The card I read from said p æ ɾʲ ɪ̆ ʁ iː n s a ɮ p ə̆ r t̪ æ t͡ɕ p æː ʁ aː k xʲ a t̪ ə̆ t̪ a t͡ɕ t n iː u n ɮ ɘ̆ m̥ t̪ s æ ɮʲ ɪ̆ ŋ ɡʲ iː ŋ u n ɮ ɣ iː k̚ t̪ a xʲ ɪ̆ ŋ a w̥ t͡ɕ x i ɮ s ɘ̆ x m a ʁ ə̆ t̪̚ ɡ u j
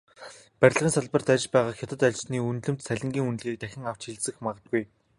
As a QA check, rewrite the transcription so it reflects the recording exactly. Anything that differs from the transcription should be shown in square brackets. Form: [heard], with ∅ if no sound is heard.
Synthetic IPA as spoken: p æ ɾʲ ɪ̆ ʁ iː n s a ɮ p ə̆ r t̪ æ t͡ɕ p æː ʁ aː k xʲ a t̪ ə̆ t̪ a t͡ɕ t n iː u n ɮ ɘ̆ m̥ t̪ s æ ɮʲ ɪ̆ ŋ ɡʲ iː ŋ u n ɮ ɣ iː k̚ t̪ [æ] xʲ ɪ̆ ŋ a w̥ t͡ɕ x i ɮ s ɘ̆ x m a ʁ ə̆ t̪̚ ɡ u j